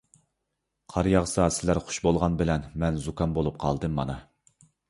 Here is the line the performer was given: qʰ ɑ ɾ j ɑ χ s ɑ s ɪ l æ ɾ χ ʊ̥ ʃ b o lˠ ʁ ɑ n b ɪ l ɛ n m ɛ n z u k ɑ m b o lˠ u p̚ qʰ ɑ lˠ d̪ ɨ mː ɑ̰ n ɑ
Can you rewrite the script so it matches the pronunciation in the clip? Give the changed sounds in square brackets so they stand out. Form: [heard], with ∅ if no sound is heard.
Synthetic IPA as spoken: qʰ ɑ ɾ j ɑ [ʁ] s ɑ s ɪ l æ ɾ χ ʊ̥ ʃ b o lˠ ʁ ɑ n b ɪ l ɛ n m ɛ n z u k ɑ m b o lˠ u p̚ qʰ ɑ lˠ d̪ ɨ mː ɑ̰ n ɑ

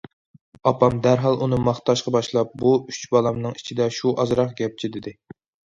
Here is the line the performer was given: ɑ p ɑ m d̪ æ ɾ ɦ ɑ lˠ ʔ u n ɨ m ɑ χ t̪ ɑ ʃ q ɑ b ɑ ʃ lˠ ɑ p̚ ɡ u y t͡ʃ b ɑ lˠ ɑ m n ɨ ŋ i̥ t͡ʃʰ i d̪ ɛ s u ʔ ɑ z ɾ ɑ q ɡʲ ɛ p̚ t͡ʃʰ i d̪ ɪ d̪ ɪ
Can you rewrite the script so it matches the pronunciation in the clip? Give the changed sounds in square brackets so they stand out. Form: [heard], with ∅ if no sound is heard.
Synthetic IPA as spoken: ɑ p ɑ m d̪ æ ɾ ɦ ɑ lˠ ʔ u n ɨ m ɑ χ t̪ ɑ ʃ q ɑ b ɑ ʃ lˠ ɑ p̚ [b] u y t͡ʃ b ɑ lˠ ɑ m n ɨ ŋ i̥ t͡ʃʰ i d̪ ɛ [ʃ] u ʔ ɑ z ɾ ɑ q ɡʲ ɛ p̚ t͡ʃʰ i d̪ ɪ d̪ ɪ

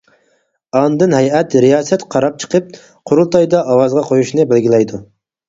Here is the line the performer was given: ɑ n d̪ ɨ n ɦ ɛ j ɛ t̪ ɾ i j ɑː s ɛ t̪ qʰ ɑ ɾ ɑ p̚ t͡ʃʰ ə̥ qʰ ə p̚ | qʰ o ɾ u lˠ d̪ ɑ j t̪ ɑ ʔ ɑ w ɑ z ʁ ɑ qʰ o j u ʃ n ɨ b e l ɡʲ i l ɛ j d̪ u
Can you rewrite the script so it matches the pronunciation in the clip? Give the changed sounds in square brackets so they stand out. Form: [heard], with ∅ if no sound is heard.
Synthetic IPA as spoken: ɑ n d̪ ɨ n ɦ ɛ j ɛ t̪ ɾ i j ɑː s ɛ t̪ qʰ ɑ ɾ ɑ p̚ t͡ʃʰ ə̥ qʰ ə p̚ | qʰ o ɾ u lˠ [t̪] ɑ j [d̪] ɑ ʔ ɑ w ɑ z ʁ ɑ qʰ o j u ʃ n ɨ b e l ɡʲ i l ɛ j d̪ u

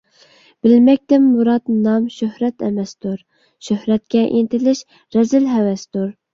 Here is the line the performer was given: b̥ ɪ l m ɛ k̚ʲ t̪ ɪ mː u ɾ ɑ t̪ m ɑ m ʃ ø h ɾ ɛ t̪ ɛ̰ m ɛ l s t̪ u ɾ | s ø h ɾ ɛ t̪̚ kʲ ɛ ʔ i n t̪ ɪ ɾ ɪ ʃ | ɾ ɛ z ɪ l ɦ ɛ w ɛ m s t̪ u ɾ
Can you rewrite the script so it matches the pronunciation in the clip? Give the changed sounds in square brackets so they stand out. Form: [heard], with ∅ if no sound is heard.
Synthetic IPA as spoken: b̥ ɪ l m ɛ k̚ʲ t̪ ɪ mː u ɾ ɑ t̪ [n] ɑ m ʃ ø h ɾ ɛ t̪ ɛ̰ m ɛ [∅] s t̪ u ɾ | [ʃ] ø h ɾ ɛ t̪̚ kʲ ɛ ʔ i n t̪ ɪ [l] ɪ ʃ | ɾ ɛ z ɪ l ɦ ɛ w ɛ [∅] s t̪ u ɾ

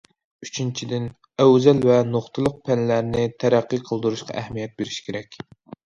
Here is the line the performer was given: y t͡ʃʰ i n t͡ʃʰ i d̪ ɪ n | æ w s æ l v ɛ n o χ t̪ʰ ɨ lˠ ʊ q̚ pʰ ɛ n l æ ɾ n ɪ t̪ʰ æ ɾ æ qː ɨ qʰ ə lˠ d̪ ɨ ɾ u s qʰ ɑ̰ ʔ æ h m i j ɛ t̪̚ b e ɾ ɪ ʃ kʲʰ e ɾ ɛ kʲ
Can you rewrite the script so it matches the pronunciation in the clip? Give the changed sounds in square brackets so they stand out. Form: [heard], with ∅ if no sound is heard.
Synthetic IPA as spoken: y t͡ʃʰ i n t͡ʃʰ i d̪ ɪ n | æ w [z] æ l v ɛ n o χ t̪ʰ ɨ lˠ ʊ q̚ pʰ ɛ n l æ ɾ n ɪ t̪ʰ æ ɾ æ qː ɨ qʰ ə lˠ d̪ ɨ ɾ u [ʃ] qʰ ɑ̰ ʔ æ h m i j ɛ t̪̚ b e ɾ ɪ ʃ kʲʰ e ɾ ɛ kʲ

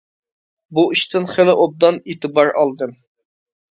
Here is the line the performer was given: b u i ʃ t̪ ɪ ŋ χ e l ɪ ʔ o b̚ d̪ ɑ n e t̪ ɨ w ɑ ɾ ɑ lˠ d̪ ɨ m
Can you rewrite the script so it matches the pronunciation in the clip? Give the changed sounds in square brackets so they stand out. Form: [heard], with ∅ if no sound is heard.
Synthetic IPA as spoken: b u i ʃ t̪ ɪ [n] χ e l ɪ ʔ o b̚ d̪ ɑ n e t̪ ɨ [b] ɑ ɾ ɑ lˠ d̪ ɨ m

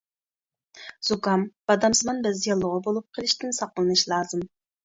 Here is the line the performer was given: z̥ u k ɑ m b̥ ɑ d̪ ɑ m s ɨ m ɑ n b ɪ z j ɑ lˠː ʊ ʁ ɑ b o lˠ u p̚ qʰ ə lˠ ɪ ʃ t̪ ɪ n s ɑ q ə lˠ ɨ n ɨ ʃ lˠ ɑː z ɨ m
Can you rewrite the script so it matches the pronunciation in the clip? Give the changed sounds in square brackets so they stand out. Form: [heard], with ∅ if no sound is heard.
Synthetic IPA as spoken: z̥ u k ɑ m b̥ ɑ d̪ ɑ m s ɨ m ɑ n b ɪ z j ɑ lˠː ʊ ʁ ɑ b o lˠ u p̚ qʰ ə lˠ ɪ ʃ t̪ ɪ n s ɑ q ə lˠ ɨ n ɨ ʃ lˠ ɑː z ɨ m

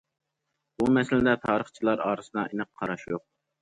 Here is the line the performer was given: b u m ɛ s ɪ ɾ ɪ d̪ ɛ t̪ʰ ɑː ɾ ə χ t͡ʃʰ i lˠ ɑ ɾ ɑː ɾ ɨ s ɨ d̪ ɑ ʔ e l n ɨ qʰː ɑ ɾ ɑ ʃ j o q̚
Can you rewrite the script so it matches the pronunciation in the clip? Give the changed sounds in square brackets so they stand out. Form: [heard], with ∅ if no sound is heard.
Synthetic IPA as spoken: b u m ɛ s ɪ [l] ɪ d̪ ɛ t̪ʰ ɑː ɾ ə χ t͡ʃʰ i lˠ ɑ ɾ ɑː ɾ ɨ s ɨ d̪ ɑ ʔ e [∅] n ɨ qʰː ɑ ɾ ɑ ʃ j o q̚

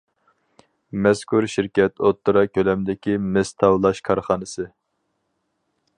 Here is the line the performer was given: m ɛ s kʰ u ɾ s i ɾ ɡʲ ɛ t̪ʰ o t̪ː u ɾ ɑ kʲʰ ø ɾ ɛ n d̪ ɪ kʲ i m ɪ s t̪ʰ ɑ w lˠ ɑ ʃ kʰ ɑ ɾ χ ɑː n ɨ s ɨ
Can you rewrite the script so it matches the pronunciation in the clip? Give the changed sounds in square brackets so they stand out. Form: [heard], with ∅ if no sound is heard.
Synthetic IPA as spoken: m ɛ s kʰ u ɾ [ʃ] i ɾ [kʲ] ɛ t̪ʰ o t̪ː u ɾ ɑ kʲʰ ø [l] ɛ [m] d̪ ɪ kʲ i m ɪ s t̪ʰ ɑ w lˠ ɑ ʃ kʰ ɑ ɾ χ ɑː n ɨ s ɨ

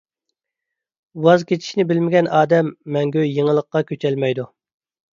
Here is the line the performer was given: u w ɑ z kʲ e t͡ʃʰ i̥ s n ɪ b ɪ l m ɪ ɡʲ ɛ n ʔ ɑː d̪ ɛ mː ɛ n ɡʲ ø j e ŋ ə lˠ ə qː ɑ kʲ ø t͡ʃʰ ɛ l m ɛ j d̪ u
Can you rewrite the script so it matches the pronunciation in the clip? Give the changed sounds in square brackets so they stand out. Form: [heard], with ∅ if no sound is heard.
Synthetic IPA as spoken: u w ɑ z kʲ e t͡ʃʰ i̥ [ʃ] n ɪ b ɪ l m ɪ ɡʲ ɛ n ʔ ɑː d̪ ɛ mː ɛ [ŋ] ɡʲ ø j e ŋ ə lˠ ə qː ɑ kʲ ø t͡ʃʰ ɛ l m ɛ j d̪ u

